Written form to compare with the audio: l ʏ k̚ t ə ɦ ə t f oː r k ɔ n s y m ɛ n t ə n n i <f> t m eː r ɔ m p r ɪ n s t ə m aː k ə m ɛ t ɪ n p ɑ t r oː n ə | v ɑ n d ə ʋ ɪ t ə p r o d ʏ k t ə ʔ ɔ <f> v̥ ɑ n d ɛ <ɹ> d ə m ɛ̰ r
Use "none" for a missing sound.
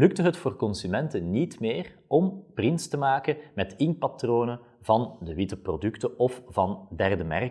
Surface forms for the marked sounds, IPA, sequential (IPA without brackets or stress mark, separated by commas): none, f, r